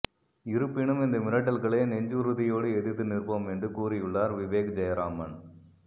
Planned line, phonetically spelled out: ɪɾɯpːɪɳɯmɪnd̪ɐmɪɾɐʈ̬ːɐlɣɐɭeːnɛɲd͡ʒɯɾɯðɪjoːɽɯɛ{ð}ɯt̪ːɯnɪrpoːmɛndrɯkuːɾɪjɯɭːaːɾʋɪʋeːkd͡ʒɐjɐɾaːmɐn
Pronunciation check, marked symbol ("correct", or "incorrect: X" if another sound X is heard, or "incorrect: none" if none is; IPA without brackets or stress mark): correct